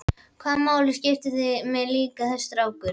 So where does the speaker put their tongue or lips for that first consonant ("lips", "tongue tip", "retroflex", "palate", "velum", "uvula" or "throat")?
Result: velum